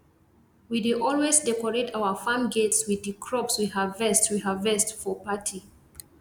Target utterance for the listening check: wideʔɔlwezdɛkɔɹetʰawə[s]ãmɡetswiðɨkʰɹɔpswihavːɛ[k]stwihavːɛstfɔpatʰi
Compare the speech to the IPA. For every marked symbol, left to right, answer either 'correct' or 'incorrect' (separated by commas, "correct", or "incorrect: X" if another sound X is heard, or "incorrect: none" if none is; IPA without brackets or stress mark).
incorrect: f, incorrect: none